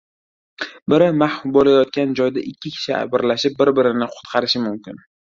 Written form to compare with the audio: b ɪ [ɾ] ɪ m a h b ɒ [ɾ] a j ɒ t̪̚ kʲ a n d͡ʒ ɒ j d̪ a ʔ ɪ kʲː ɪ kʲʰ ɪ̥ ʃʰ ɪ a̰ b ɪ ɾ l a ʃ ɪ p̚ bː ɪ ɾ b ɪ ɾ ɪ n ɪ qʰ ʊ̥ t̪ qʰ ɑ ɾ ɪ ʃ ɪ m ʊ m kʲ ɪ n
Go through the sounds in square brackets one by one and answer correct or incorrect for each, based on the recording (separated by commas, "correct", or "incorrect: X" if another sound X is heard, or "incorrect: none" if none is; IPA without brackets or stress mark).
correct, incorrect: l